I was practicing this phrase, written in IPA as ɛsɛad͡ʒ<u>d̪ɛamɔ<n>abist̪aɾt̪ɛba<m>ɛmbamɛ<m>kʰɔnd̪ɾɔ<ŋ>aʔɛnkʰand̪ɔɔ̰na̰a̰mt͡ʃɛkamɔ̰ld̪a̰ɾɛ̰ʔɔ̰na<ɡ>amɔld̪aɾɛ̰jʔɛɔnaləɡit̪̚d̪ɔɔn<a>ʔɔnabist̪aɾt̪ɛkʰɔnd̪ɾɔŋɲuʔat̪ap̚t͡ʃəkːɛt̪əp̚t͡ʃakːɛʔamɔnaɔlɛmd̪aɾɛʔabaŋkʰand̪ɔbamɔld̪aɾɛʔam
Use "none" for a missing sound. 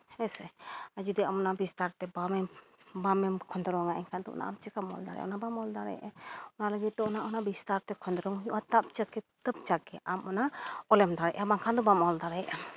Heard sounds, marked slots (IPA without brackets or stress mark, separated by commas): u, n, m, m, ŋ, b, a